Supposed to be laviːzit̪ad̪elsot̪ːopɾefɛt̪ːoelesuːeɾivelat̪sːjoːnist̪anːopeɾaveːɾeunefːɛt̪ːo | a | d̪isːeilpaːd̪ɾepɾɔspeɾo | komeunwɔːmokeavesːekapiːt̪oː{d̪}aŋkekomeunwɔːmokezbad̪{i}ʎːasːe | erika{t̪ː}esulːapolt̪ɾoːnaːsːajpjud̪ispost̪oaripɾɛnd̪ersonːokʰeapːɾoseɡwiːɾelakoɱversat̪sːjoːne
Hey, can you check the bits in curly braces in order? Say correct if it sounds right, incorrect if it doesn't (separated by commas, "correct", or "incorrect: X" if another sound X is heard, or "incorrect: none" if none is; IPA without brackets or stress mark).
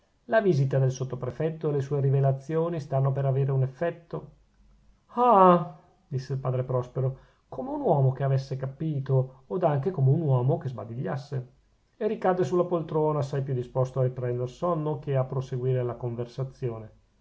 correct, correct, incorrect: d̪ː